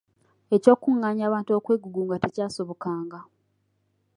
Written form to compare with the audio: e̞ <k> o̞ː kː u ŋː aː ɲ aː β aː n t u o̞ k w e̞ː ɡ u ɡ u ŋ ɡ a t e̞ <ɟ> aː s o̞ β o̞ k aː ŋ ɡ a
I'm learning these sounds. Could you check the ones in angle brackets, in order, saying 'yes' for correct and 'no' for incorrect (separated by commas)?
no, no